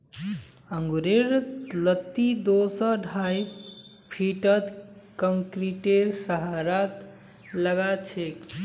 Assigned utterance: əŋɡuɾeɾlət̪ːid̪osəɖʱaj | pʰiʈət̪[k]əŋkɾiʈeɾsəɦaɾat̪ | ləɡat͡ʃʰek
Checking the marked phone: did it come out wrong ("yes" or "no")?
no